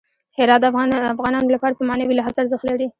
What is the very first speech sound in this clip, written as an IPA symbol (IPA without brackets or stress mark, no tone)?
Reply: h